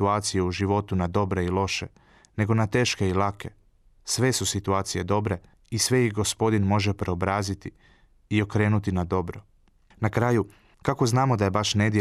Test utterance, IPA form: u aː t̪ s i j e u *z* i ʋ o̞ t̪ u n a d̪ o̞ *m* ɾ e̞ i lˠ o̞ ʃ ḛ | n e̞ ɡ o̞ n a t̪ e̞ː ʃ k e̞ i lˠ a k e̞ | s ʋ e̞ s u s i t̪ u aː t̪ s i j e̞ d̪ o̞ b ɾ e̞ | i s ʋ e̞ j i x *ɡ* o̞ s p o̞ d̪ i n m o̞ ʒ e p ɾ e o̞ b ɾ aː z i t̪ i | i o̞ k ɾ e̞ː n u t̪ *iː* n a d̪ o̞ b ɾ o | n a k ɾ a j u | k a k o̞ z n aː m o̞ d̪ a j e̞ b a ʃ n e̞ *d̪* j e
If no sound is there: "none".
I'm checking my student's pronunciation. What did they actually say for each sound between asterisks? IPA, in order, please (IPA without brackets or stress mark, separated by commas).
ʒ, b, ɡ, i, d̪